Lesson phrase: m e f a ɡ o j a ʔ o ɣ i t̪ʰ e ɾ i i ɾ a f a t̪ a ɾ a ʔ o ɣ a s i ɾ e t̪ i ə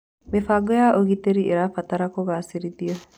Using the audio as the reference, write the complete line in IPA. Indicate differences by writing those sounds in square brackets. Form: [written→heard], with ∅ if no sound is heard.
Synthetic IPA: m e f a ɡ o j a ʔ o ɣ i [t̪ʰ→t̪] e ɾ i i ɾ a f a t̪ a ɾ a [ʔ→k] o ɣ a s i ɾ [e→i] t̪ i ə